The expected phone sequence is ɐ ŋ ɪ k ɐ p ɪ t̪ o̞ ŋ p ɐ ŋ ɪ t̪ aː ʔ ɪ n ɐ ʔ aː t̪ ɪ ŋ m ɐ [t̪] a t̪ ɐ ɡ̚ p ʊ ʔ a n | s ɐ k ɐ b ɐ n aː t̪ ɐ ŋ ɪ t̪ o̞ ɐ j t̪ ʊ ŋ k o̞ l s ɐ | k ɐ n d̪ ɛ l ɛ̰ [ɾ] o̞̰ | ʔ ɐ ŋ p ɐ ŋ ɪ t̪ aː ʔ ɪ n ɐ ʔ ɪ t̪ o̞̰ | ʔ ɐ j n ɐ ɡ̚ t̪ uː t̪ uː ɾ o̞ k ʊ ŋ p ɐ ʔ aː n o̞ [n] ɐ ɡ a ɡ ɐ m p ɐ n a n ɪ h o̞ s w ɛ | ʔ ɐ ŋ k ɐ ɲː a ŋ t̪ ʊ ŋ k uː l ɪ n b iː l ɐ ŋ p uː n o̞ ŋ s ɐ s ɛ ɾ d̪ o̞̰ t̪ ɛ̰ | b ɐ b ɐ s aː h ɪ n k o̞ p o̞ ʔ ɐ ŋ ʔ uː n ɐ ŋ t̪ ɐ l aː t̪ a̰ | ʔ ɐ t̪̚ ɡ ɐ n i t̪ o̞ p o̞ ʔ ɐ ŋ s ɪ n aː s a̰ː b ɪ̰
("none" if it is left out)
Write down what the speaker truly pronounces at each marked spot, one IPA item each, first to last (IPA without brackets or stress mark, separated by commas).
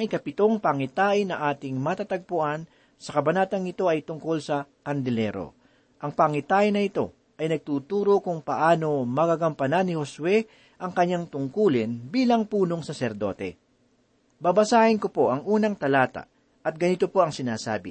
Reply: t̪, ɾ, m